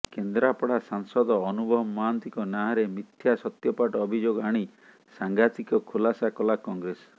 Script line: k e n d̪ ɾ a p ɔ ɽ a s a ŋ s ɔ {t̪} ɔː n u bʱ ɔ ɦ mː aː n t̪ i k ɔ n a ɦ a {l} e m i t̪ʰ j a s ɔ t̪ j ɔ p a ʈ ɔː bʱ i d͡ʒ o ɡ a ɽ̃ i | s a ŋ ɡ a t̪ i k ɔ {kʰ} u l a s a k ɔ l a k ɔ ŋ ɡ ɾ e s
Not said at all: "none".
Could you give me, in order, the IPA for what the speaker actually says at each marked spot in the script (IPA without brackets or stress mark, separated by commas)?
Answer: d̪, ɾ, kʰ